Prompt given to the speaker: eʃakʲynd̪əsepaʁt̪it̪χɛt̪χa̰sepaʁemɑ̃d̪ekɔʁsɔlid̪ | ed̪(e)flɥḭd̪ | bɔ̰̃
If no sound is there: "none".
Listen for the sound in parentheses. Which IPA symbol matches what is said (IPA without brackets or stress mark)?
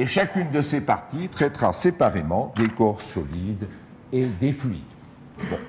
e